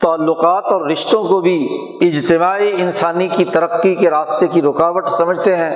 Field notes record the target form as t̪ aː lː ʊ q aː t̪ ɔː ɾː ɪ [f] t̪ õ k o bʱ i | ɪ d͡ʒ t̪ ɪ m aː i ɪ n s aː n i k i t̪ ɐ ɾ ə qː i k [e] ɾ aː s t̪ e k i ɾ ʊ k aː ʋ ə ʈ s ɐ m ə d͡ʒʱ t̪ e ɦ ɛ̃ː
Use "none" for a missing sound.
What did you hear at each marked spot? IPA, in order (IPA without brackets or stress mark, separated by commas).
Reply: ʃ, e